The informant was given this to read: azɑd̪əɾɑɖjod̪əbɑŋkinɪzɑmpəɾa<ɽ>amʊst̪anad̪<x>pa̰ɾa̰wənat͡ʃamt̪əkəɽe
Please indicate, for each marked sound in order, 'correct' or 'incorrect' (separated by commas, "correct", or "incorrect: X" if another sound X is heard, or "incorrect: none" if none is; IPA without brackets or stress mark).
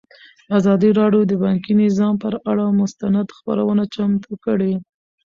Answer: correct, correct